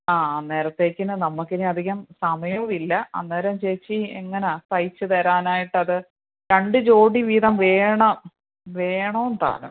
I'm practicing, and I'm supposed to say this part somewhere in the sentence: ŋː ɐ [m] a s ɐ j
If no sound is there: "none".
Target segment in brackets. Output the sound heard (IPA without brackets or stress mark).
n